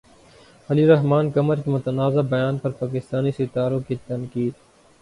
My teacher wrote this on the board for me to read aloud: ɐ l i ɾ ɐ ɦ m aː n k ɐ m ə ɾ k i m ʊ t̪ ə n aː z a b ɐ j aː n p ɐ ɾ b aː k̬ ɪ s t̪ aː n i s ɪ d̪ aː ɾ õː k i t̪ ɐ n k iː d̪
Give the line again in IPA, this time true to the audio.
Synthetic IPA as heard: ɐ l i ɾ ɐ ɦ m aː n k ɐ m ə ɾ k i m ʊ t̪ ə n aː z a b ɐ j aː n p ɐ ɾ p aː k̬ ɪ s t̪ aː n i s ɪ t̪ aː ɾ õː k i t̪ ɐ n k iː d̪